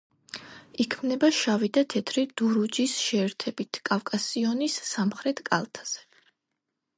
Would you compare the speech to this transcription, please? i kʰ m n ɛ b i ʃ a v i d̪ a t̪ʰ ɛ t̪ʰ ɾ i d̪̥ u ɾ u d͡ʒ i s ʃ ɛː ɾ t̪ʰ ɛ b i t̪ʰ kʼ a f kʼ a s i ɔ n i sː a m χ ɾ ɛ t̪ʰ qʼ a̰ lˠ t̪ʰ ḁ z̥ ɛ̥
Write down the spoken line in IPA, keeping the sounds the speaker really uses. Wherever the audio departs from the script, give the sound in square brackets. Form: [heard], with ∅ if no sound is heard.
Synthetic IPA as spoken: i kʰ m n ɛ b [a] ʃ a v i d̪ a t̪ʰ ɛ t̪ʰ ɾ i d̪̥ u ɾ u d͡ʒ i s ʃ ɛː ɾ t̪ʰ ɛ b i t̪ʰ kʼ a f kʼ a s i ɔ n i sː a m χ ɾ ɛ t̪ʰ [kʼ] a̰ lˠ t̪ʰ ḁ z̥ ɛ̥